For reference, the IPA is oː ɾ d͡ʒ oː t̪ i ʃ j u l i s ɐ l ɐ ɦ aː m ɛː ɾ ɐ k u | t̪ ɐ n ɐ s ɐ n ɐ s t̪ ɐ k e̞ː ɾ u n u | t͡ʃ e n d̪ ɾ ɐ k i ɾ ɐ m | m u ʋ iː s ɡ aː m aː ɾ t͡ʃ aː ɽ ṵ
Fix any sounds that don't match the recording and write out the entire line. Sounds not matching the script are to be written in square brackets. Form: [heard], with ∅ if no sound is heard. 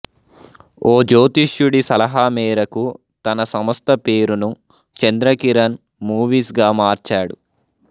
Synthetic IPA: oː [∅] d͡ʒ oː t̪ i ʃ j u [ɽ] i s ɐ l ɐ ɦ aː m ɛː ɾ ɐ k u | t̪ ɐ n ɐ s ɐ [m] ɐ s t̪ ɐ [p] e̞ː ɾ u n u | t͡ʃ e n d̪ ɾ ɐ k i ɾ ɐ [n] | m [uː] ʋ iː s ɡ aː m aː ɾ t͡ʃ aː ɽ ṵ